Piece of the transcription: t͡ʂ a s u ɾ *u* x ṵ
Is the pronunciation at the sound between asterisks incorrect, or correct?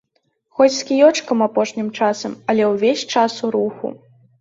correct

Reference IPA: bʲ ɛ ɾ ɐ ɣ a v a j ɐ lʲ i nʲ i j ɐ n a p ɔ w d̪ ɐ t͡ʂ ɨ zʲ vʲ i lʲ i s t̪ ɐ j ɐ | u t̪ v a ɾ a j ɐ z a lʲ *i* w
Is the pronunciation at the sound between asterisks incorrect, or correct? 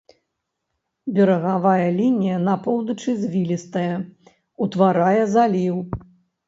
correct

